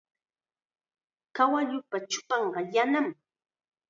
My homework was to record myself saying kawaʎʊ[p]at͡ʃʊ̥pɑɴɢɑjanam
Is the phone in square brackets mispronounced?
no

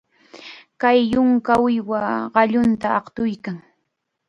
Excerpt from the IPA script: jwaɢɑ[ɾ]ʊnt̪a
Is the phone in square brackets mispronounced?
yes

